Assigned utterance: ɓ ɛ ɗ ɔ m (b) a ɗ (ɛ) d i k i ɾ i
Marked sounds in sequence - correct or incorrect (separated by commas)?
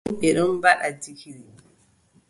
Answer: correct, incorrect